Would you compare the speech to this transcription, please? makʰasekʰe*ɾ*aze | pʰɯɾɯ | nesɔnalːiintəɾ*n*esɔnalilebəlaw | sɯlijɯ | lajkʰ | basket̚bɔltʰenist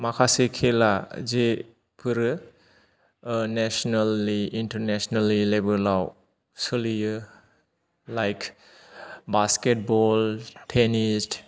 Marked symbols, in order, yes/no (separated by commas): no, yes